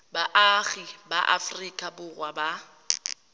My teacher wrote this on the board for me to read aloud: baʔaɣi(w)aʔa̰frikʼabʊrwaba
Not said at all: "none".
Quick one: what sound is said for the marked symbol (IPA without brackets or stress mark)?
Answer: b